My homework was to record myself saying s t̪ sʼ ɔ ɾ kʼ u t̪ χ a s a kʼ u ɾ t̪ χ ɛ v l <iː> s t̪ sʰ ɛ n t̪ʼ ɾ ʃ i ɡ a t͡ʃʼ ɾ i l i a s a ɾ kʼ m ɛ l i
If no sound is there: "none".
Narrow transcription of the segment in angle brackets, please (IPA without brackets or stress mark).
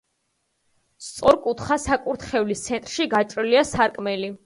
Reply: i